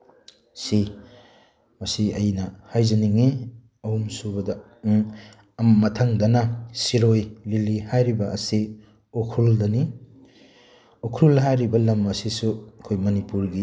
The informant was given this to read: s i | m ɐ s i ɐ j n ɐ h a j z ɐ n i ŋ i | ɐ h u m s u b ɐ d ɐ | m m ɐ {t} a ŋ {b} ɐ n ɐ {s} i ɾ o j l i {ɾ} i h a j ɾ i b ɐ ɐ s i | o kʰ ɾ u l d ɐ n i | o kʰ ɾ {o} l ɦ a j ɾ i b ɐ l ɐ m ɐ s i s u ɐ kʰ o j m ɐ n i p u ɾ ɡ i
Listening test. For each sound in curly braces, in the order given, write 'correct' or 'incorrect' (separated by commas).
incorrect, incorrect, correct, incorrect, incorrect